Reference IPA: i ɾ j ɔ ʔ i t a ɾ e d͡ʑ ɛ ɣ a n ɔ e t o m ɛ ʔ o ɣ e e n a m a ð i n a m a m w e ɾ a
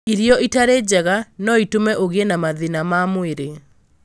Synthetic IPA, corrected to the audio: i ɾ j ɔ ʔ i t a ɾ e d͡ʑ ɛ ɣ a n ɔ i t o m ɛ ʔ o ɣ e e n a m a ð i n a m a m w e ɾ e